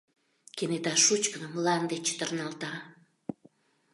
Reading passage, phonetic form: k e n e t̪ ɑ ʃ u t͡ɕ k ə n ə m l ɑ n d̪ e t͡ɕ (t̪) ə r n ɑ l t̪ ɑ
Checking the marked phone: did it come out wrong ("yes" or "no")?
no